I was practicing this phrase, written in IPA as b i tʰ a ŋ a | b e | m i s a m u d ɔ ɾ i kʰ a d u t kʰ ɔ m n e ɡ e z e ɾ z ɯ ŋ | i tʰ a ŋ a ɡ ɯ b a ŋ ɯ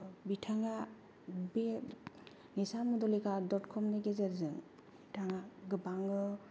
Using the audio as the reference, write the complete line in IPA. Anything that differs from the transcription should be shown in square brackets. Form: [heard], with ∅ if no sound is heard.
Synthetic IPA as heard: b i tʰ a ŋ a | b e | [n] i s a m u d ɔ [l] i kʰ a d [ɔ] t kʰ ɔ m n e ɡ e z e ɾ z ɯ ŋ | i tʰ a ŋ a ɡ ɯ b a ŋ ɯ

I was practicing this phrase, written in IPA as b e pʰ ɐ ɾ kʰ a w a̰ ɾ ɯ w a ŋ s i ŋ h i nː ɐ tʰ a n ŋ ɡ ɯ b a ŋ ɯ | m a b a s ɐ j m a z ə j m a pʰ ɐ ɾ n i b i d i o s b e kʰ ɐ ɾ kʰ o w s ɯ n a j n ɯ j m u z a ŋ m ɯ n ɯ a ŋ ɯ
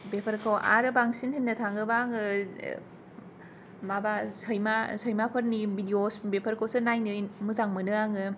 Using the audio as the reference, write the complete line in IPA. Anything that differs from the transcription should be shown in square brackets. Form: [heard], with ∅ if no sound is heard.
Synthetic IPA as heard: b e pʰ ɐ ɾ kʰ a w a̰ ɾ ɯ [b] a ŋ s i [n] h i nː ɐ tʰ a [∅] ŋ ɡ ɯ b a ŋ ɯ | m a b a s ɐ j m a [s] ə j m a pʰ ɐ ɾ n i b i d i o s b e [pʰ] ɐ ɾ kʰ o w s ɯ n a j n ɯ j m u z a ŋ m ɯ n ɯ a ŋ ɯ

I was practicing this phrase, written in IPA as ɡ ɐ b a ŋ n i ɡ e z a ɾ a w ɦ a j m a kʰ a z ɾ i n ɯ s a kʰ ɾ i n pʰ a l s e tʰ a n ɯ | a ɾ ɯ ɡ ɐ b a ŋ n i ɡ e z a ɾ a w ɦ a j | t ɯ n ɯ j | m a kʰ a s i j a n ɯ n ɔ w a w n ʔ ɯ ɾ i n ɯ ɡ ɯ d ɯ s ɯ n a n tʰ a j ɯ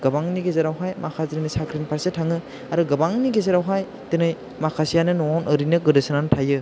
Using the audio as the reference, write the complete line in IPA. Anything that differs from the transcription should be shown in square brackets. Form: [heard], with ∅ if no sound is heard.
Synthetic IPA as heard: ɡ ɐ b a ŋ n i ɡ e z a ɾ a w ɦ a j m a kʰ a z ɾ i n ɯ s a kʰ ɾ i n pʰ a [ɾ] s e tʰ a [ŋ] ɯ | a ɾ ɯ ɡ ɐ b a ŋ n i ɡ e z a ɾ a w ɦ a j | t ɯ n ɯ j | m a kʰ a s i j a n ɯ n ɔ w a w n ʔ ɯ ɾ i n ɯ ɡ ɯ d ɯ s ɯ n a n tʰ a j ɯ

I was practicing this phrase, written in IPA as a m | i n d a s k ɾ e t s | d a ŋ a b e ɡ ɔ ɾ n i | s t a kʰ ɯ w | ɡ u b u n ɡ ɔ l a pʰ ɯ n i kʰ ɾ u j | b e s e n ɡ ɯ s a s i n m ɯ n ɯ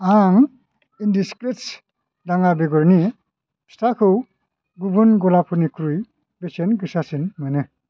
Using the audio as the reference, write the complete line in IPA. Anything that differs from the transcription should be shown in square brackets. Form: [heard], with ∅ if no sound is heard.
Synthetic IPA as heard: a [ŋ] | i n d [i] s k ɾ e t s | d a ŋ a b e ɡ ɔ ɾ n i | s t a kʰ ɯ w | ɡ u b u n ɡ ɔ l a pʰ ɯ n i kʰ ɾ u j | b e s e n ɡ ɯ s a s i n m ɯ n ɯ

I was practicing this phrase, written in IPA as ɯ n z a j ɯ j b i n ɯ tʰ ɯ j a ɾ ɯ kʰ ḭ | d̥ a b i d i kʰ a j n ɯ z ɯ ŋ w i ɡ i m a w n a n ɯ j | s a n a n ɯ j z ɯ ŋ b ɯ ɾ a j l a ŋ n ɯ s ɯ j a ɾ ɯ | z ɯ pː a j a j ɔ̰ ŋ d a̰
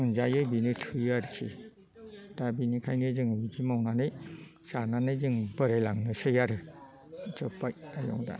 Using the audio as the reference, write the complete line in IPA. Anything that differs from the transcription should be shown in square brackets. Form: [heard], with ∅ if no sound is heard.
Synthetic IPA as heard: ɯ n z a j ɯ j b i n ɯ tʰ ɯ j a ɾ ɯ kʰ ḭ | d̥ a b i [n] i kʰ a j n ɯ z ɯ ŋ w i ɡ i m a w n a n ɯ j | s a n a n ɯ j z ɯ ŋ b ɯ ɾ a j l a ŋ n ɯ s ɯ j a ɾ ɯ | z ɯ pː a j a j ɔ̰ ŋ d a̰

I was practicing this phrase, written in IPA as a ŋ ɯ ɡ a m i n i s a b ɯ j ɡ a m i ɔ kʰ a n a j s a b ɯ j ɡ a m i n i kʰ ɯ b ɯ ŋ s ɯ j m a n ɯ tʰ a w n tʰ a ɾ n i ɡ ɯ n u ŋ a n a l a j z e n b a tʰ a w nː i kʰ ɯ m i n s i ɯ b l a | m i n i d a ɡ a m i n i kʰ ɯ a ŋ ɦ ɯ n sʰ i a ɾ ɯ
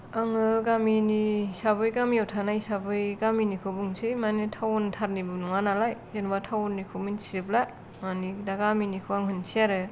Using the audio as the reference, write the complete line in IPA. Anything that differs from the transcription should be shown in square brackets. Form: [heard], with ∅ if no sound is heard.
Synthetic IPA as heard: a ŋ ɯ ɡ a m i n i s a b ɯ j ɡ a m i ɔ [tʰ] a n a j s a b ɯ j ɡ a m i n i kʰ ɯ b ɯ ŋ s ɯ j m a n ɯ tʰ a w n tʰ a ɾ n i [b] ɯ n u ŋ a n a l a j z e n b a tʰ a w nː i kʰ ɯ m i n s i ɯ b l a | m [a] n i d a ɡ a m i n i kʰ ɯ a ŋ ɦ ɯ n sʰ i a ɾ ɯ

